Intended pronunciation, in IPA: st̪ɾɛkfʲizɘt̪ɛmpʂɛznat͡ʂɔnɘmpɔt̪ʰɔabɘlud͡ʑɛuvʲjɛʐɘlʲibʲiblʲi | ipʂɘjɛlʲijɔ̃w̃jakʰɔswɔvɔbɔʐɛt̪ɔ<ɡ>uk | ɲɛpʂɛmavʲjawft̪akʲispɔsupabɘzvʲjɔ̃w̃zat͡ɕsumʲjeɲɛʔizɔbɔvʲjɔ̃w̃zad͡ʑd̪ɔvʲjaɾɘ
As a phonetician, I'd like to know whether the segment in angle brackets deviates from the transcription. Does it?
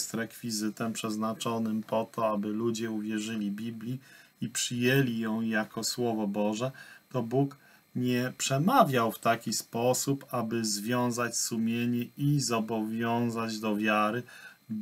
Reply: yes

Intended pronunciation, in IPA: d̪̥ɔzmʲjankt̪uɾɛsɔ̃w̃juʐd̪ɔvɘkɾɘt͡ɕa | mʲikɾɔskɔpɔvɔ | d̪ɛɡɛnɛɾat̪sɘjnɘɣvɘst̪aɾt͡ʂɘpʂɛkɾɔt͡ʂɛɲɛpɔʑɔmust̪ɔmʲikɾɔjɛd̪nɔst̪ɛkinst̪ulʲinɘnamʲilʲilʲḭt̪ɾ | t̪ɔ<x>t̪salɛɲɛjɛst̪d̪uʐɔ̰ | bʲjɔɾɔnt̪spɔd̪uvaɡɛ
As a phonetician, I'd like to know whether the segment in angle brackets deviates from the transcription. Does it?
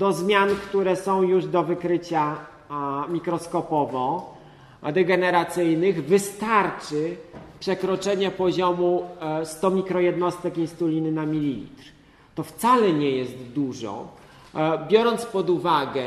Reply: yes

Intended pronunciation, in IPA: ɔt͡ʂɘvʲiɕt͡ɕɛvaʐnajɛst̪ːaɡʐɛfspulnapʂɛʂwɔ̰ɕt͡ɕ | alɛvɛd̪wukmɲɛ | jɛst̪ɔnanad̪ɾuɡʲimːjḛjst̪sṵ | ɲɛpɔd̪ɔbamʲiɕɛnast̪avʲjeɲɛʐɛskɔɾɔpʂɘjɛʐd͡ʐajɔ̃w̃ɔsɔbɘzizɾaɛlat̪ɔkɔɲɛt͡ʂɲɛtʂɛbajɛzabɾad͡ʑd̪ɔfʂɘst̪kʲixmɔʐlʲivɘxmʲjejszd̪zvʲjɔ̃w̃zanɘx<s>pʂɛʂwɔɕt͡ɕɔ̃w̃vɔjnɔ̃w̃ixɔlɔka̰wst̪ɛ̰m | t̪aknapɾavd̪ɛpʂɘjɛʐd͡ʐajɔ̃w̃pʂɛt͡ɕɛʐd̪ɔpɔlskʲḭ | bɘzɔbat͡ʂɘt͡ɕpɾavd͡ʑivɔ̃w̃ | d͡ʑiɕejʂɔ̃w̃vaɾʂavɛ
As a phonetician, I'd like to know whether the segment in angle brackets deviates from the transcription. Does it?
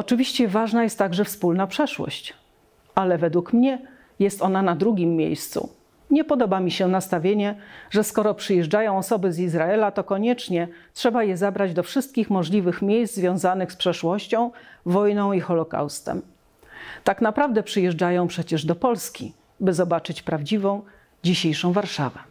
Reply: no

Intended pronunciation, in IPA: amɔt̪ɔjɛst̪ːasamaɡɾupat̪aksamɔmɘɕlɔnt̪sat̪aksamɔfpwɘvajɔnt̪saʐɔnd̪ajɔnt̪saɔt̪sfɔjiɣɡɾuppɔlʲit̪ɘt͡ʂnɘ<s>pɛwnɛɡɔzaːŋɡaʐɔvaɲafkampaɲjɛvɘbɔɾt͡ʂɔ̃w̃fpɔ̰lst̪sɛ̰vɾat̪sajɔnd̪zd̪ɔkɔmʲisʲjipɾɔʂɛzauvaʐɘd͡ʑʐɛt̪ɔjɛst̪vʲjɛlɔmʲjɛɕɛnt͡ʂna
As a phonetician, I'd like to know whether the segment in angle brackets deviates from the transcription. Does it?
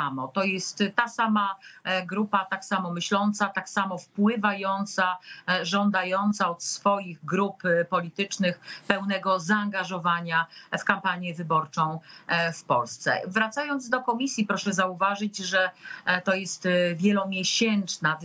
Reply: yes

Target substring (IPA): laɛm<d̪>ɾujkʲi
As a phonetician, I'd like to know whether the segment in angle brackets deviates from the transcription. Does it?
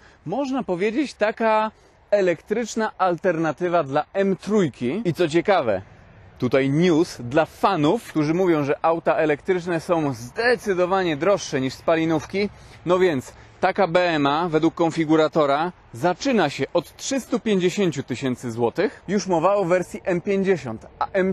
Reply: yes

